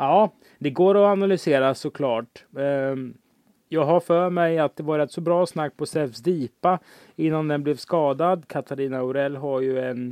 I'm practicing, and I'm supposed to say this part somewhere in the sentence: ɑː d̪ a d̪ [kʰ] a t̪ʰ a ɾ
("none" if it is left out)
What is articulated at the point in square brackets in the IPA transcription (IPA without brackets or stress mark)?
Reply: kʰ